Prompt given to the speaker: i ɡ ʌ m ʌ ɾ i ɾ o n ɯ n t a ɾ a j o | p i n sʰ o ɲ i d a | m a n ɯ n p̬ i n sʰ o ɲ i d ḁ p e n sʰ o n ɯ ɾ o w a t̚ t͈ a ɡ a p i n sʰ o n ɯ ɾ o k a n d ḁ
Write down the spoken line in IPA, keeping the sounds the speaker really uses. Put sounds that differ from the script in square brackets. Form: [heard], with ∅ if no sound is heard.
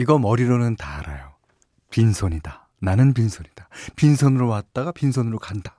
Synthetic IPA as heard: i ɡ ʌ m ʌ ɾ i ɾ o n ɯ n t a ɾ a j o | p i n sʰ o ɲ i d a | [n] a n ɯ n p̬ i n sʰ o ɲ i d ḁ p [i] n sʰ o n ɯ ɾ o w a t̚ t͈ a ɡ a p i n sʰ o n ɯ ɾ o k a n d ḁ